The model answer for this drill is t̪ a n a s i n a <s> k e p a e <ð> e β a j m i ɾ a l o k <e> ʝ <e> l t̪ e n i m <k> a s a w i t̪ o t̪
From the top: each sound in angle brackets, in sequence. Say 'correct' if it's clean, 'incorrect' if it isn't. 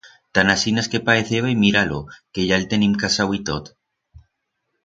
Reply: correct, incorrect: θ, correct, incorrect: a, correct

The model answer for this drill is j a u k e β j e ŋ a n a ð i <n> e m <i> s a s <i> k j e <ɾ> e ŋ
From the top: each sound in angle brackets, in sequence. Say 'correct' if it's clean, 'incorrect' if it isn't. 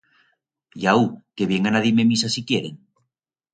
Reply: incorrect: m, correct, correct, correct

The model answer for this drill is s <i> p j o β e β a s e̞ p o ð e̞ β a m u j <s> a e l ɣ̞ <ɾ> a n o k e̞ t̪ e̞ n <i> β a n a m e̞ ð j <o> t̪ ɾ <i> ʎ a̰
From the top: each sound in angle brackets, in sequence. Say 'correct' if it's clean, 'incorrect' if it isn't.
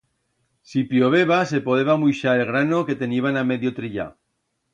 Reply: correct, incorrect: ʃ, correct, correct, correct, correct

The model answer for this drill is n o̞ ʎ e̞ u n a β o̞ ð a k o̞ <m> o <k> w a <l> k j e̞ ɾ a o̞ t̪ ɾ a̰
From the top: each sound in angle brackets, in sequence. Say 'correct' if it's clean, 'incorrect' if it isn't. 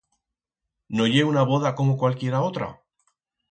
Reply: correct, correct, correct

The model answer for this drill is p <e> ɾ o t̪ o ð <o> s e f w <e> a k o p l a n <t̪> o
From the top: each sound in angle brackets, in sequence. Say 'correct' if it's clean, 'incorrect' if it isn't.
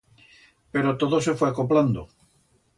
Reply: correct, correct, correct, incorrect: d̪

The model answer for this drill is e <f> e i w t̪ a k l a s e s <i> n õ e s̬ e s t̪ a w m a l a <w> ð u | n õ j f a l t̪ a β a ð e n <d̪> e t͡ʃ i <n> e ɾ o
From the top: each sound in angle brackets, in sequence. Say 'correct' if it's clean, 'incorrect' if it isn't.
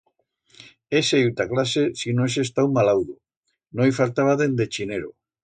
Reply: incorrect: s, correct, correct, correct, correct

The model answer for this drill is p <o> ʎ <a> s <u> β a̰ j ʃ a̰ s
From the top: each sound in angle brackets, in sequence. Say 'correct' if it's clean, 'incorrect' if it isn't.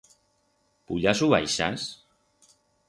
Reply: incorrect: u, correct, correct

